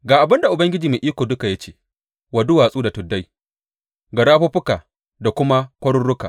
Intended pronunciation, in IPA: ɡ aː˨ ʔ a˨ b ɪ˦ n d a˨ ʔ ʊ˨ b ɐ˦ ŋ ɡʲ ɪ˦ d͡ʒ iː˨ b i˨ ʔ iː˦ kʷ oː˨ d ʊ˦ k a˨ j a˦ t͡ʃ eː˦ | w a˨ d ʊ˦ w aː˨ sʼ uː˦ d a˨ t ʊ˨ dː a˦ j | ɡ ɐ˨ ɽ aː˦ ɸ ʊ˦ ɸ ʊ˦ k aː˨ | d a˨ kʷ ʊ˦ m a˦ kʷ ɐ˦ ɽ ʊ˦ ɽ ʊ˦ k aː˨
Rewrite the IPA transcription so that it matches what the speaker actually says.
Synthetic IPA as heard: ɡ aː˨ ʔ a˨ b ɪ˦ n d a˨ ʔ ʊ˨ b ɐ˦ ŋ ɡʲ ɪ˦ d͡ʒ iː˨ m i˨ ʔ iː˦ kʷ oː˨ d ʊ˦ k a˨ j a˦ t͡ʃ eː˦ | w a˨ d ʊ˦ w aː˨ sʼ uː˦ d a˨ t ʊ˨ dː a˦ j | ɡ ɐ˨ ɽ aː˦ ɸ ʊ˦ ɸ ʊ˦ k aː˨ | d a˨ kʷ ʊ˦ m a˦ kʷ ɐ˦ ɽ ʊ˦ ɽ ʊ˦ k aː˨